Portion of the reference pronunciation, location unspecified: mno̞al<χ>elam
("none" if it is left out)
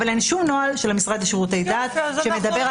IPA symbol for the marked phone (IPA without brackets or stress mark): ʃ